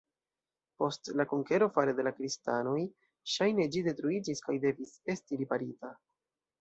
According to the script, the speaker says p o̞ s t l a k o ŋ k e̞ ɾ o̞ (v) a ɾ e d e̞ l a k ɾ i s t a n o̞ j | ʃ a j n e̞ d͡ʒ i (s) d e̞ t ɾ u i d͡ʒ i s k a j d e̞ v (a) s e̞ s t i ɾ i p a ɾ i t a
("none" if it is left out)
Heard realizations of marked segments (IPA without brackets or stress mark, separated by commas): f, none, i